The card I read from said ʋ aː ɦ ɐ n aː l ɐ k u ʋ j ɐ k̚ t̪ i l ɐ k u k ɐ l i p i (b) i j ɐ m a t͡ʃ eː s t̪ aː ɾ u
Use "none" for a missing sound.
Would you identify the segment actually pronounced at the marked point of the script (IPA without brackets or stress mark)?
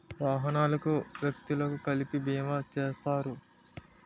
b